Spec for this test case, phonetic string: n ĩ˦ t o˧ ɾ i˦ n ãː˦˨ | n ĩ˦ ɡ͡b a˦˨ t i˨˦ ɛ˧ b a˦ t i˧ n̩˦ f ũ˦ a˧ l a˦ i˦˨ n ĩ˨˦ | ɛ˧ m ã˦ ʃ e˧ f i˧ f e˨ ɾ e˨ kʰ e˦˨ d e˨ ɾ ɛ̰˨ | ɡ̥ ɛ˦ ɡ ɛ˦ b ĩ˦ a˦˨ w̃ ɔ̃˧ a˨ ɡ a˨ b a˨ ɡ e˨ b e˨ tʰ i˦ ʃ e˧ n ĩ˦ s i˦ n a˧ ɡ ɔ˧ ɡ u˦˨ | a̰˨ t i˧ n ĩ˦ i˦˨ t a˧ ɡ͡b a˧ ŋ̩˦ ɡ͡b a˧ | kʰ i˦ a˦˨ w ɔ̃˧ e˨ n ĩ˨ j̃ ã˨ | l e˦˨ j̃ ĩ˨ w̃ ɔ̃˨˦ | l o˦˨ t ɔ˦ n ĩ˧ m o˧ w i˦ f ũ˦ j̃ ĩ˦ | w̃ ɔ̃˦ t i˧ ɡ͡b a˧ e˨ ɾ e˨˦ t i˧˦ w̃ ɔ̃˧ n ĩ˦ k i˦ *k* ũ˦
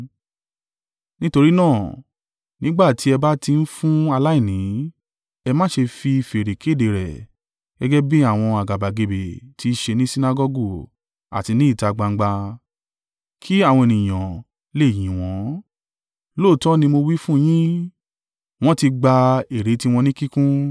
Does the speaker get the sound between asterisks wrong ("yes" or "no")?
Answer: no